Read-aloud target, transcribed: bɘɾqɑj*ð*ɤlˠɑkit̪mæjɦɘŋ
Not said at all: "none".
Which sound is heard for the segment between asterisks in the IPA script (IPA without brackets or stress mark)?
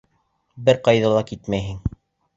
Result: ð